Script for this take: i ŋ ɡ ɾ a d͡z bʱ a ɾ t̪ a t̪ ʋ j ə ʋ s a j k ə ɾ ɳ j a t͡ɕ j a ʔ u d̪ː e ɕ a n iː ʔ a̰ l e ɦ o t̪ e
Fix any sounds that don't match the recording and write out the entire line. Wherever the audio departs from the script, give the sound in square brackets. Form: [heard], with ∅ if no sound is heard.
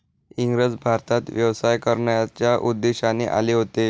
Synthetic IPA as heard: i ŋ ɡ ɾ [ə] d͡z bʱ a ɾ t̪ a t̪ ʋ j ə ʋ s a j k ə ɾ ɳ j a t͡ɕ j a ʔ u d̪ː e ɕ a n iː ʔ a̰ l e ɦ o t̪ e